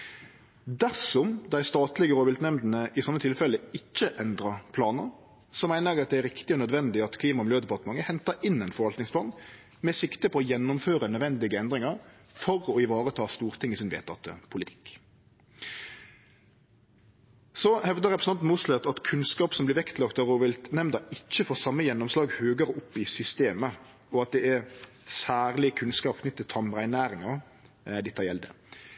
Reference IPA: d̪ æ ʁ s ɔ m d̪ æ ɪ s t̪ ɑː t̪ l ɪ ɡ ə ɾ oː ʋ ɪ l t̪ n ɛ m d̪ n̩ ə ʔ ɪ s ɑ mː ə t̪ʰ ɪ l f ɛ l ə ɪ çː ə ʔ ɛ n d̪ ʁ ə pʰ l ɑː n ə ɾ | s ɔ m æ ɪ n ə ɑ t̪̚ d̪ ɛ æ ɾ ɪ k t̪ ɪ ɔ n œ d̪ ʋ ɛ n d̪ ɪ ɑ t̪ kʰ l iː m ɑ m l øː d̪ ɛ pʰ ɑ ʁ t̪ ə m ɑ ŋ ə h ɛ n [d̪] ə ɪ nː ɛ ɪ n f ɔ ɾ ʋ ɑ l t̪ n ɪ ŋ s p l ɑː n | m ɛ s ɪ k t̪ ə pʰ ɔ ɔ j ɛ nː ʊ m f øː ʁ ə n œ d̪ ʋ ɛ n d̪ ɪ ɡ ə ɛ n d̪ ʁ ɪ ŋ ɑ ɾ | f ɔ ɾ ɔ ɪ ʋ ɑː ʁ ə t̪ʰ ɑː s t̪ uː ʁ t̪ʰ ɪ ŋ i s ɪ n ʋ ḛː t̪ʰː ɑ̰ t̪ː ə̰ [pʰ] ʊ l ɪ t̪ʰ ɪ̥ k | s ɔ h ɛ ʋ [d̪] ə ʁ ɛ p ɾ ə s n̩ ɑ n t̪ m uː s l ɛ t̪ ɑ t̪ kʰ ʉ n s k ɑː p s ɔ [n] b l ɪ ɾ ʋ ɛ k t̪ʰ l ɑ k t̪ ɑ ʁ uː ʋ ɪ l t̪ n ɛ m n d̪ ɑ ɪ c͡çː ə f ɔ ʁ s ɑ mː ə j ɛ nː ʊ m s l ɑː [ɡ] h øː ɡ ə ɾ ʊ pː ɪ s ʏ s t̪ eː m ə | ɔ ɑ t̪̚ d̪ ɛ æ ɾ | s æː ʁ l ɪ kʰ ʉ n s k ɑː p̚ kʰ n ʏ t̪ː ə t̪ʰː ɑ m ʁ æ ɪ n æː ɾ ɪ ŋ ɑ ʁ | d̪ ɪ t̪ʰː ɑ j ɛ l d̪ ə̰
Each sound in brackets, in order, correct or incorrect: incorrect: t̪, correct, correct, incorrect: m, correct

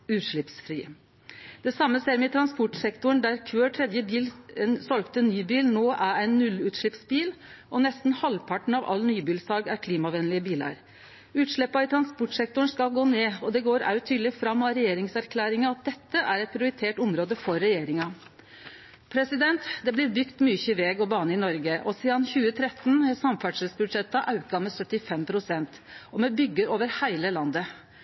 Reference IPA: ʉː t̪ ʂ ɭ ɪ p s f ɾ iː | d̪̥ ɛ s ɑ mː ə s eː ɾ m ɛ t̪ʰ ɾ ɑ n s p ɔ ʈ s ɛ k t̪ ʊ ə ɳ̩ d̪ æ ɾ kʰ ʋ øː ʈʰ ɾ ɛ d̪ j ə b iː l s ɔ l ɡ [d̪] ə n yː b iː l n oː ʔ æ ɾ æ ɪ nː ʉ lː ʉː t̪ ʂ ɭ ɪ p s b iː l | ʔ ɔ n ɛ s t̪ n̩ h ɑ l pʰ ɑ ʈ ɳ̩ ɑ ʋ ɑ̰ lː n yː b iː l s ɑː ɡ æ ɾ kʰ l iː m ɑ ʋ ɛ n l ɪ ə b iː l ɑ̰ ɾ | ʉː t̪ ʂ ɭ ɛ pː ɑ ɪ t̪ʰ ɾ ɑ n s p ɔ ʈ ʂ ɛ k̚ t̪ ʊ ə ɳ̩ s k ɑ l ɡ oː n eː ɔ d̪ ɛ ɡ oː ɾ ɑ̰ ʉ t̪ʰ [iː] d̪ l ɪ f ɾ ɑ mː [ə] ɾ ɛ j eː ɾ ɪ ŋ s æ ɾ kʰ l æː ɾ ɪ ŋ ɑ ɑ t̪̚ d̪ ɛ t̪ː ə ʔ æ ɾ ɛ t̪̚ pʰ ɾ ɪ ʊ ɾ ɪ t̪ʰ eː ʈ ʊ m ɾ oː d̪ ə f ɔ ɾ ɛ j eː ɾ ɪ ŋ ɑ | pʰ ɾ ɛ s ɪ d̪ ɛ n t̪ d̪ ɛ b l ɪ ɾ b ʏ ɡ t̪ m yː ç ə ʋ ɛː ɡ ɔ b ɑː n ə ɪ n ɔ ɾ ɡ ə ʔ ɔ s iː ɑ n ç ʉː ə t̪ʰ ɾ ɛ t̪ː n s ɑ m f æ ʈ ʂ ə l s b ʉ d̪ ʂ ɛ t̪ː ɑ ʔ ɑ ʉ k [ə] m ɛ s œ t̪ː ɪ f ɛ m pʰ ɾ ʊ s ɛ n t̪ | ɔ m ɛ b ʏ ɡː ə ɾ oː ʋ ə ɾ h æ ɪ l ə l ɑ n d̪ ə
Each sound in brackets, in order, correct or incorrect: incorrect: t̪, incorrect: yː, incorrect: ɑ, incorrect: ɑ

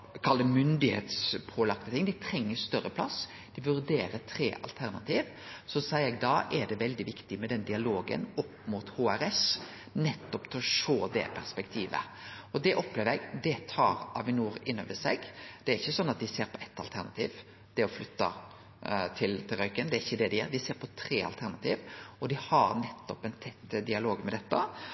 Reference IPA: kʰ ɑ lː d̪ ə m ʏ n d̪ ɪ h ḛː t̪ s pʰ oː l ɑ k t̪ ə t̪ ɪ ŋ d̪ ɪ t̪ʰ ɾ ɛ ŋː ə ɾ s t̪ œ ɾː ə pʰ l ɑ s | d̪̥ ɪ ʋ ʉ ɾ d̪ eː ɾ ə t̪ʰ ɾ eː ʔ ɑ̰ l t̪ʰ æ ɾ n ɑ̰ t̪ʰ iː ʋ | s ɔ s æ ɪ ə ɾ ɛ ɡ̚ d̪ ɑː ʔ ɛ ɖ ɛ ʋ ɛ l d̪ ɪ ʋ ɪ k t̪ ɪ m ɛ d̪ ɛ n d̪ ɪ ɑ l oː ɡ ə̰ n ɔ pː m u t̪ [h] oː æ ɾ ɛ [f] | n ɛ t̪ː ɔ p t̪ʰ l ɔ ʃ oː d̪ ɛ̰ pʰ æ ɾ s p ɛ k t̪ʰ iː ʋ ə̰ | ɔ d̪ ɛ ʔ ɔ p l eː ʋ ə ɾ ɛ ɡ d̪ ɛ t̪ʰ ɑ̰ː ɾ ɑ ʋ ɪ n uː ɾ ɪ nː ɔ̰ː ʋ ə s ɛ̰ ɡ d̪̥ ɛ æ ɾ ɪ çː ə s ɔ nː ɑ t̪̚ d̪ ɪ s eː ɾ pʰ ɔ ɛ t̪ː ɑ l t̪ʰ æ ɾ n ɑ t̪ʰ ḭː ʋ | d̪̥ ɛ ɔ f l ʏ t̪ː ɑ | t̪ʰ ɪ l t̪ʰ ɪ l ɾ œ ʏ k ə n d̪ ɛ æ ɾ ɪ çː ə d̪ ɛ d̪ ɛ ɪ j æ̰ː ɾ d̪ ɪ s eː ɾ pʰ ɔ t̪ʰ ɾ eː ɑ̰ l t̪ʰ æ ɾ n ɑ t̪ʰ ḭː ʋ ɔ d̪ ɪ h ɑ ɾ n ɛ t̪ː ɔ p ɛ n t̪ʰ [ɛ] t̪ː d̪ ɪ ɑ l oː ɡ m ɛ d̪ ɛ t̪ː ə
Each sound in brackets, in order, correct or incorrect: correct, incorrect: s, correct

